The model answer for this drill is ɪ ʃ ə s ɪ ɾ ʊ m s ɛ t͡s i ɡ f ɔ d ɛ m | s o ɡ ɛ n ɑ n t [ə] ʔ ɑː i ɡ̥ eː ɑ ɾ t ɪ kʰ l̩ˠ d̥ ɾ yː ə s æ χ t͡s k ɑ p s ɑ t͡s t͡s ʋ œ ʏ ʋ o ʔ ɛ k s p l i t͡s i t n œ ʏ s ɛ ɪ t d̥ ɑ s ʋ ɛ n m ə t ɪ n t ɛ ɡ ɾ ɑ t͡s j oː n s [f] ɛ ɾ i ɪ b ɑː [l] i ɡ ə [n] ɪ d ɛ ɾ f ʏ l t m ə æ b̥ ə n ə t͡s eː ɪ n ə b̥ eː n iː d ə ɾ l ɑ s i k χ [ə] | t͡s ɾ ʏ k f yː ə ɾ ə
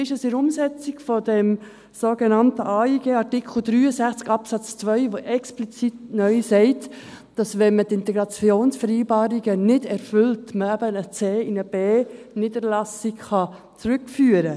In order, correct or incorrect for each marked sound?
correct, correct, incorrect, correct, incorrect

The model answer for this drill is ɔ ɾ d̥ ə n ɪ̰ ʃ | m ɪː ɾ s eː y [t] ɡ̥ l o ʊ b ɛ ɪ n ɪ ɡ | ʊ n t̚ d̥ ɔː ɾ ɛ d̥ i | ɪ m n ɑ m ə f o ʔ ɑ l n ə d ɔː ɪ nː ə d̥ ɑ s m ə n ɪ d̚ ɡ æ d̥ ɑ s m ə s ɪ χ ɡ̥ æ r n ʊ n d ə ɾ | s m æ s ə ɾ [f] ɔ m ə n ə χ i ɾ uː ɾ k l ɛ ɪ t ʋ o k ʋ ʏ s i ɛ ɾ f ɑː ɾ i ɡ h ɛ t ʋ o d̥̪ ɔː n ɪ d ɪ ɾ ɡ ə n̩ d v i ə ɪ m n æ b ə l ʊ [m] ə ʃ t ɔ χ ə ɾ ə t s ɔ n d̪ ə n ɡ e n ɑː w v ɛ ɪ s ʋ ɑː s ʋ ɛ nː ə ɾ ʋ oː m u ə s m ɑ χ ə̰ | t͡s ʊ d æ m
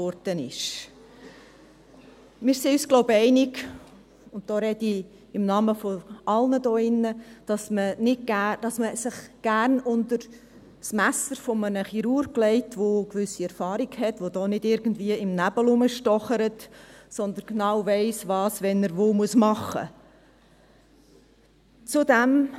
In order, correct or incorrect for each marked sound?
incorrect, correct, correct

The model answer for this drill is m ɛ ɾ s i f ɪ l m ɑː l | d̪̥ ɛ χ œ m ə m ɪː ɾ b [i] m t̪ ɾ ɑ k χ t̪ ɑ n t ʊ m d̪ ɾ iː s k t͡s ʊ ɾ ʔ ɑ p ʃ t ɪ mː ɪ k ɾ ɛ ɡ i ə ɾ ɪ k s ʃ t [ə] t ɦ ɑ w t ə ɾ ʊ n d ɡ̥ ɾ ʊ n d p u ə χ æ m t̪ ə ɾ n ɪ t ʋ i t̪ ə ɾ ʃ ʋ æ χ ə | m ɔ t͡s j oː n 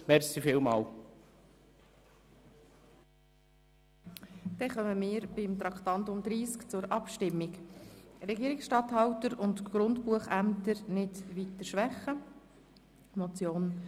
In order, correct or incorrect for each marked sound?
incorrect, incorrect

